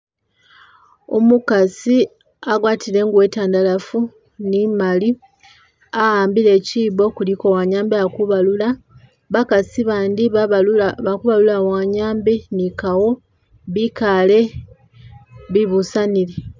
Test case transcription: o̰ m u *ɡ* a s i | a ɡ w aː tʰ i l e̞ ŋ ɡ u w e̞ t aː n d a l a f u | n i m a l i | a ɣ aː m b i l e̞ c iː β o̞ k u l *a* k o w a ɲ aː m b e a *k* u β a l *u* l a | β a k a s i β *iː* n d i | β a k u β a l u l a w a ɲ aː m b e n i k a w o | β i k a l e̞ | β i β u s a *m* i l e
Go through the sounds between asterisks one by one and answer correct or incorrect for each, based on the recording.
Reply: incorrect: k, incorrect: i, correct, correct, incorrect: aː, incorrect: n

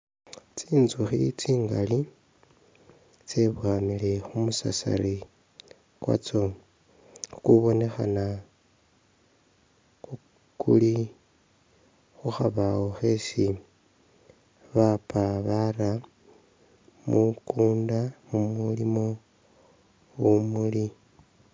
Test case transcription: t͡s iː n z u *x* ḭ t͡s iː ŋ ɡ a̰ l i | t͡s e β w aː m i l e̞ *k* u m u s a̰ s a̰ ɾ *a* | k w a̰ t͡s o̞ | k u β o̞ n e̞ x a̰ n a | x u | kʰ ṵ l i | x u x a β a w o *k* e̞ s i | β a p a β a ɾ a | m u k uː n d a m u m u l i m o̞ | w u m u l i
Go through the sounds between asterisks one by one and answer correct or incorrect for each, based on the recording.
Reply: correct, incorrect: x, incorrect: i, incorrect: x

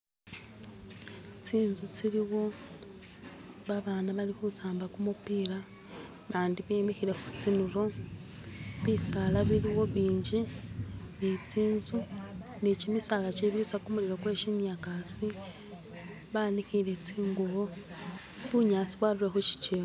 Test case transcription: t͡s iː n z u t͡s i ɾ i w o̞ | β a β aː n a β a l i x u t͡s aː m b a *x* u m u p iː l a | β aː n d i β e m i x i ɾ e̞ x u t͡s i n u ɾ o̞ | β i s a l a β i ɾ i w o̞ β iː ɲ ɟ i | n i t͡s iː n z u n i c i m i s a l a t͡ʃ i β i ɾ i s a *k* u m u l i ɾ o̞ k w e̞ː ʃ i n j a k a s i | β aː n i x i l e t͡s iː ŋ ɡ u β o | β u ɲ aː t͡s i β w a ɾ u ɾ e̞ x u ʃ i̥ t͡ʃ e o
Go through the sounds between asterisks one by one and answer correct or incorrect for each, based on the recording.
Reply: incorrect: k, correct

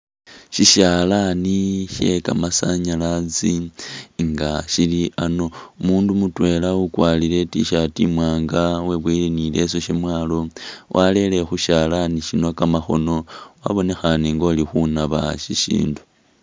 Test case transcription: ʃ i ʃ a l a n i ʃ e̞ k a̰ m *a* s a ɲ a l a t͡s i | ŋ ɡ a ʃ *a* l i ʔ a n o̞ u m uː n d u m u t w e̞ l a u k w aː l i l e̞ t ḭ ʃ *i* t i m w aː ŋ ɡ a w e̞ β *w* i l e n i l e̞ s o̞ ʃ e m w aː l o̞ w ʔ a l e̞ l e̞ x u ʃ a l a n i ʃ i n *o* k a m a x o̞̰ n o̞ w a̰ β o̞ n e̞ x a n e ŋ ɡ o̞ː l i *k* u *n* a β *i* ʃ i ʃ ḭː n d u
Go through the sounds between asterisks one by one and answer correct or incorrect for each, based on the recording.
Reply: correct, incorrect: i, incorrect: a, correct, correct, incorrect: x, correct, incorrect: a

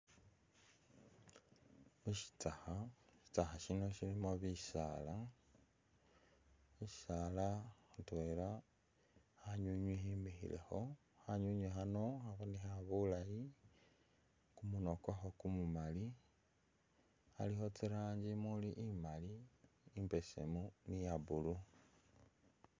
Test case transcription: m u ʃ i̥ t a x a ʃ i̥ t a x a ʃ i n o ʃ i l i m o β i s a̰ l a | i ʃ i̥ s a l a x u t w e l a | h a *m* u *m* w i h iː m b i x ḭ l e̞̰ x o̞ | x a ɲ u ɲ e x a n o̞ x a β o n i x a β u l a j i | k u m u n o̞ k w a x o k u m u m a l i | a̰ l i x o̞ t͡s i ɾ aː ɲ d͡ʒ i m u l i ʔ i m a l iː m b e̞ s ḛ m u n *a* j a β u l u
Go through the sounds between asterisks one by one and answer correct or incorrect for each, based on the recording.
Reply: incorrect: ɲ, incorrect: ɲ, incorrect: i

